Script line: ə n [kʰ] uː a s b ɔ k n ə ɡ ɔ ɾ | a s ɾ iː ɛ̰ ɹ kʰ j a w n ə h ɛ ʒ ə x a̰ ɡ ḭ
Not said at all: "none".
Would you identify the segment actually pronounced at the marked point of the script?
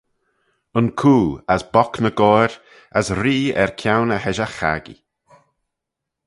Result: kʰ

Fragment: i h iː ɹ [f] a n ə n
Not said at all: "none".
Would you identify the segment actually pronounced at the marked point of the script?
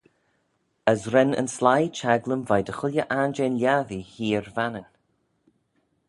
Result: v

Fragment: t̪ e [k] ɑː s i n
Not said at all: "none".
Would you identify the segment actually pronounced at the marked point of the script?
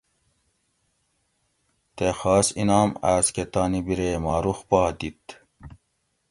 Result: x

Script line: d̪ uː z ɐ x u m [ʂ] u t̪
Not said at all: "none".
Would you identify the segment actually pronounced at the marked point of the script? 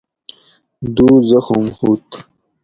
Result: h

